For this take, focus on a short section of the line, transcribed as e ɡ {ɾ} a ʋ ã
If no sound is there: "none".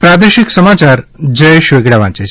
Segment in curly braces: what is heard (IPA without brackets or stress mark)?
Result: ɽ